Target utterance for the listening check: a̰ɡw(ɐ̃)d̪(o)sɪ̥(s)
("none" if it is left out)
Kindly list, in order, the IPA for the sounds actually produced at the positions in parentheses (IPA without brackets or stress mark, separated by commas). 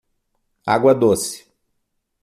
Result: ɐ, o, none